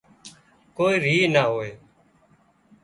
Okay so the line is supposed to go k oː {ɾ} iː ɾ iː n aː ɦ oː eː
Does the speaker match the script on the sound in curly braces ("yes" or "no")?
no